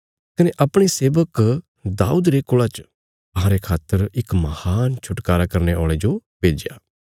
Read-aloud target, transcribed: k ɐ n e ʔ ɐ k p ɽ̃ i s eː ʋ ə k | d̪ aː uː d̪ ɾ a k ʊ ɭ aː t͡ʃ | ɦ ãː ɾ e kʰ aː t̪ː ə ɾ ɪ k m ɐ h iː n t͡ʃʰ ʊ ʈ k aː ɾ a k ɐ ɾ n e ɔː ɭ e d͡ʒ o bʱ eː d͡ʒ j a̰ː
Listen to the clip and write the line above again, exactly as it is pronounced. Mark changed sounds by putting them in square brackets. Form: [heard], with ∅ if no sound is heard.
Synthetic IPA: k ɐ n e ʔ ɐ [∅] p ɽ̃ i s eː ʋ ə k | d̪ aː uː d̪ ɾ [e] k ʊ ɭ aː t͡ʃ | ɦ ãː ɾ e kʰ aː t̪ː ə ɾ ɪ k m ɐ h [aː] n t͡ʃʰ ʊ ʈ k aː ɾ a k ɐ ɾ n e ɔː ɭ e d͡ʒ o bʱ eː d͡ʒ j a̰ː